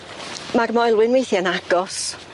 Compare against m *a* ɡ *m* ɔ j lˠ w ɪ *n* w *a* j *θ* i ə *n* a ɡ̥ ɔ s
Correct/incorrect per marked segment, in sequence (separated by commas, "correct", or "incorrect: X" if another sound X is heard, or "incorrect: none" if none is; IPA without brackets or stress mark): correct, correct, correct, incorrect: e, correct, correct